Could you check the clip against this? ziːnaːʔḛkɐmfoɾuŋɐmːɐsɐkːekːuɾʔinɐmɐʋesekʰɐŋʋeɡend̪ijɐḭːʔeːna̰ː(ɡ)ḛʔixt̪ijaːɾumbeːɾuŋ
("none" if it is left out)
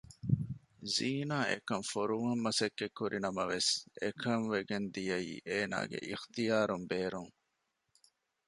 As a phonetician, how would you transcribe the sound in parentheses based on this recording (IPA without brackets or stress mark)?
ɡ